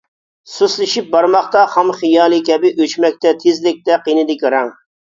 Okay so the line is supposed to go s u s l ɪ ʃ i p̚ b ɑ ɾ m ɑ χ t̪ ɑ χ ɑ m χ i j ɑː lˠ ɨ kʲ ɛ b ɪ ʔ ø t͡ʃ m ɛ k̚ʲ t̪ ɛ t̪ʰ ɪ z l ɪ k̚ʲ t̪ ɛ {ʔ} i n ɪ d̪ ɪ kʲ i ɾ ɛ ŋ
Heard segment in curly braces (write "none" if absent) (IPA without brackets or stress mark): q